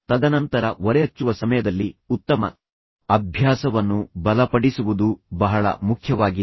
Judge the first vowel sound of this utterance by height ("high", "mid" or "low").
low